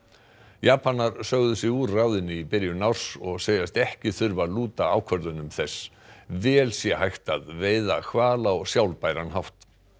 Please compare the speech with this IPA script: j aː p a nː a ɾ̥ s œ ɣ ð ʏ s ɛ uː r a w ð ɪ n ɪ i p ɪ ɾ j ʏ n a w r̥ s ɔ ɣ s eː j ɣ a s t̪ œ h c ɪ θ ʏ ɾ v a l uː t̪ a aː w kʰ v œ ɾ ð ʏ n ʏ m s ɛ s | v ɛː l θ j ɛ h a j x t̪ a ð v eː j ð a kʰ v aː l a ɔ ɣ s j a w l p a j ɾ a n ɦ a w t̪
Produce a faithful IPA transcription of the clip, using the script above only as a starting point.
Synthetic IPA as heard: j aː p a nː a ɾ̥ s œ ɣ ð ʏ s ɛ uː r a w ð ɪ n ɪ i p ɪ ɾ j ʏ n a w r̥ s ɔ ɣ s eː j ð a s t̪ ɛ h c ɪ θ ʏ ɾ v a l uː t̪ a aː w kʰ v œ ɾ ð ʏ n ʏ m θ ɛ s | v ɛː l s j ɛ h a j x t̪ a ð v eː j ð a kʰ v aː l a ɔ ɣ s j a w l p a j ɾ a n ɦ a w t̪